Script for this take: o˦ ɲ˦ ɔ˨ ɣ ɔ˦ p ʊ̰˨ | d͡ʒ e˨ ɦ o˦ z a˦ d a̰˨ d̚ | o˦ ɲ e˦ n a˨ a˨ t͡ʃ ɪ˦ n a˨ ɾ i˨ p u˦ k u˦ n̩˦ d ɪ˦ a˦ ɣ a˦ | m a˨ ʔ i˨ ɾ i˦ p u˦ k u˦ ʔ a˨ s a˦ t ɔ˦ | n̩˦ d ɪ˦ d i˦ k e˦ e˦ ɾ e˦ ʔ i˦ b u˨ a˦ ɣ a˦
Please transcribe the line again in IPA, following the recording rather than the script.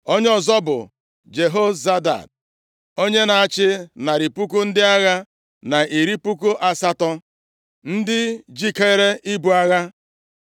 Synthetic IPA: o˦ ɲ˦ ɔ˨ z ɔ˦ b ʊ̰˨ | d͡ʒ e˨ ɦ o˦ z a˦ d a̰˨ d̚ | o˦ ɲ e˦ n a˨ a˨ t͡ʃ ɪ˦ n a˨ ɾ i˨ p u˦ k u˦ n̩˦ d ɪ˦ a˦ ɣ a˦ | n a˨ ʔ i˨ ɾ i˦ p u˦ k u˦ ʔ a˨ s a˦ t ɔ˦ | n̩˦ d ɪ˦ d͡ʒ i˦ k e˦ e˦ ɾ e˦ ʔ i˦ b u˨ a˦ ɣ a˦